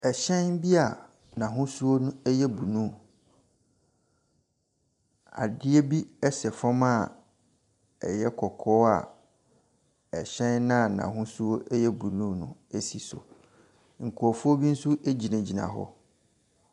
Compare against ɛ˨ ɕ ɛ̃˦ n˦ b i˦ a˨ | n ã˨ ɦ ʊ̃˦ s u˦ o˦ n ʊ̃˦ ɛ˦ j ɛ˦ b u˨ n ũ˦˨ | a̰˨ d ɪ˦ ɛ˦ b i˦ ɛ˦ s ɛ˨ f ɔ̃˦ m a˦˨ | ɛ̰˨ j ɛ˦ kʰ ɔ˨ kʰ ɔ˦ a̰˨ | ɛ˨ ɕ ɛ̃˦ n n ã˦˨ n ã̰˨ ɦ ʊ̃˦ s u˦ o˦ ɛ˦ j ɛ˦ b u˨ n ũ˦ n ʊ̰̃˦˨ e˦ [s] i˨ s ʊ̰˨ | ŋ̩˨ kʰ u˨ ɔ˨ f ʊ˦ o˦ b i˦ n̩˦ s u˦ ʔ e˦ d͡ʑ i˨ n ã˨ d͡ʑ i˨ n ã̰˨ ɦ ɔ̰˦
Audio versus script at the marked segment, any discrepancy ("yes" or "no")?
no